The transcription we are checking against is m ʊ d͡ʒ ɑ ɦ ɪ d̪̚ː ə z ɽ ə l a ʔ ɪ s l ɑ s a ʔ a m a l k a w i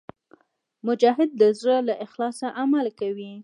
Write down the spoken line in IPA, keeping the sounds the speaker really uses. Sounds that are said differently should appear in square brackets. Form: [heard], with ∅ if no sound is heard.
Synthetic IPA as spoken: m ʊ d͡ʒ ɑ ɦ ɪ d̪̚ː ə z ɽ ə l a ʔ ɪ [x] l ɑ s a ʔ a m a l k a w i